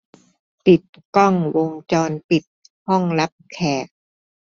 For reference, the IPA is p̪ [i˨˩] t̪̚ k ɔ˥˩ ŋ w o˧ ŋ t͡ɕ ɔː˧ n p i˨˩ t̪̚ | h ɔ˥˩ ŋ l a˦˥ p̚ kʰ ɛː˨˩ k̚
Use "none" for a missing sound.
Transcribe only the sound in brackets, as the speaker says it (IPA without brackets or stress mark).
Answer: i˨˩